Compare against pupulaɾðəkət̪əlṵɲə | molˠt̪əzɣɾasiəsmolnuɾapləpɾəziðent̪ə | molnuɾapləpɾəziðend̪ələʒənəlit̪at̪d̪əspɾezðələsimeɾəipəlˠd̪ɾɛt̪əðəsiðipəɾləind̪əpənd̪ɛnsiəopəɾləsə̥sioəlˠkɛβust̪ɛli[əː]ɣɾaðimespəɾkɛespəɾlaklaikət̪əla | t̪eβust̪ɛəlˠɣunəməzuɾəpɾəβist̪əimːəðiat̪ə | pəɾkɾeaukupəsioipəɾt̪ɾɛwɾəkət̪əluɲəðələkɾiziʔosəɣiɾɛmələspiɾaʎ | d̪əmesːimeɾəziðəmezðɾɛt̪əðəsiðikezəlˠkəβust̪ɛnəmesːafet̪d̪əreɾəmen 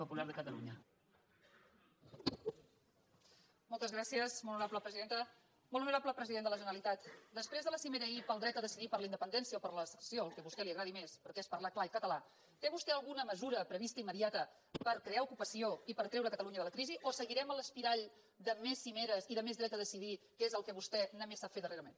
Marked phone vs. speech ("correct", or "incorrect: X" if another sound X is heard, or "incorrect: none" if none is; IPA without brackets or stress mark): incorrect: ə